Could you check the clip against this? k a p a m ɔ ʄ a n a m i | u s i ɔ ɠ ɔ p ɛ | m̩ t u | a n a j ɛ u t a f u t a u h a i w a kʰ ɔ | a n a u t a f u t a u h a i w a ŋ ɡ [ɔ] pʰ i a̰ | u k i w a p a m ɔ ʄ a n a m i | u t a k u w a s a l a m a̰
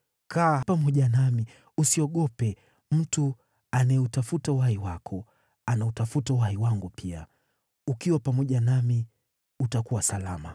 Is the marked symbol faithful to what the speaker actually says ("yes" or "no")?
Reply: no